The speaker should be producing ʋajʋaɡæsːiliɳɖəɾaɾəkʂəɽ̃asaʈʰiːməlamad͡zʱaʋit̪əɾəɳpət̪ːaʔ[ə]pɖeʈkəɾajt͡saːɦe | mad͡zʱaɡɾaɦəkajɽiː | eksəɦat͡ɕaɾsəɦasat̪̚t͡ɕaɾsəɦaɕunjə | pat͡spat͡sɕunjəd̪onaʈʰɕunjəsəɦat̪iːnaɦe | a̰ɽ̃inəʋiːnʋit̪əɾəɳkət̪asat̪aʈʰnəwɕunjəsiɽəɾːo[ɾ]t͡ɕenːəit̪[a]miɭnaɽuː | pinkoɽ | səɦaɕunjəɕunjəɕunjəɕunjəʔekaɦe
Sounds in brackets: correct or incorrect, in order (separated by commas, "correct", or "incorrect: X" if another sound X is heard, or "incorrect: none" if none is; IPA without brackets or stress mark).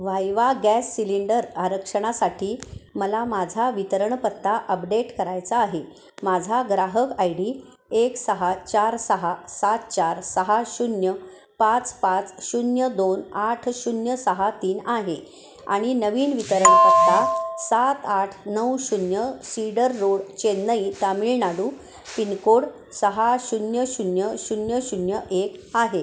correct, incorrect: ɽ, correct